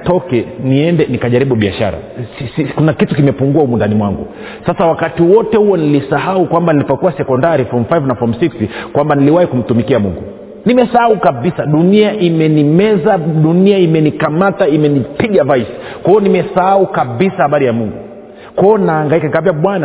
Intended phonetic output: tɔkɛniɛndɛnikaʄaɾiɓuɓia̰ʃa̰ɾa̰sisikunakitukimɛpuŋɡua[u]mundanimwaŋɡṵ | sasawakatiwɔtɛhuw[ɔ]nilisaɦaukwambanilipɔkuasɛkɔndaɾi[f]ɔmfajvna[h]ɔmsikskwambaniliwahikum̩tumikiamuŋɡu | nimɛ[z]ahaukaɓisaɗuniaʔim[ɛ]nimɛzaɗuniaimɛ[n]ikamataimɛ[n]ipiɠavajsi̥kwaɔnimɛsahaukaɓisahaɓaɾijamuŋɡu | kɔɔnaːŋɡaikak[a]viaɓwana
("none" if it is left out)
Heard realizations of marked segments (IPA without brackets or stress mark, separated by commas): u, ɔ, f, f, s, ɛ, n, n, a